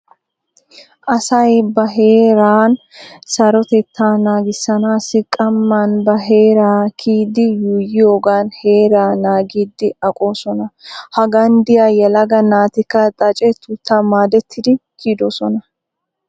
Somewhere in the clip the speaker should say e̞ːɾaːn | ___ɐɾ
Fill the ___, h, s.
s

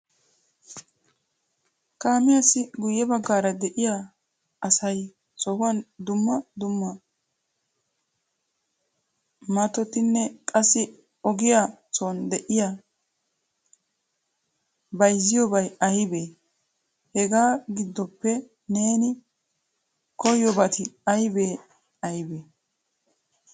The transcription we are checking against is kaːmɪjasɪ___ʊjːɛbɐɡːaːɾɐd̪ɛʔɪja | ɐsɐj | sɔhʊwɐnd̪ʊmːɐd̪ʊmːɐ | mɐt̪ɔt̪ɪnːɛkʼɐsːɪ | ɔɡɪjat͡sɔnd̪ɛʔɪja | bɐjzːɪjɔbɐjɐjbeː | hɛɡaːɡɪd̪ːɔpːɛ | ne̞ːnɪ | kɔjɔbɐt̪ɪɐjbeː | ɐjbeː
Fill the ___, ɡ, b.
ɡ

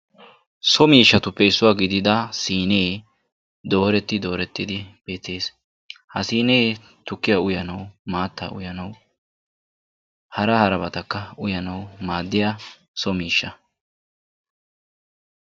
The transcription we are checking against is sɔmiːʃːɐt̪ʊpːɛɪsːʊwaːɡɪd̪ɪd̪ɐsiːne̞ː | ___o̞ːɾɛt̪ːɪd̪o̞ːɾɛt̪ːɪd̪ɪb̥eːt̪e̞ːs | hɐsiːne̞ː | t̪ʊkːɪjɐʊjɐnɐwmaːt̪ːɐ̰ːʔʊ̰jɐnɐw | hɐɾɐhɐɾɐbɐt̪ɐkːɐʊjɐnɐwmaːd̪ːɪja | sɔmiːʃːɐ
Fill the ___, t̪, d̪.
d̪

